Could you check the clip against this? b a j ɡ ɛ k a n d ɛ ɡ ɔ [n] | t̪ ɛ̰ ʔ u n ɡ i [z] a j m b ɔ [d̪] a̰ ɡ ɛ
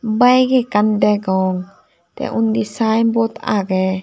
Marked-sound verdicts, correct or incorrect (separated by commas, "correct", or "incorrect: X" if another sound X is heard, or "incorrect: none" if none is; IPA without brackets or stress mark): incorrect: ŋ, incorrect: s, incorrect: t̪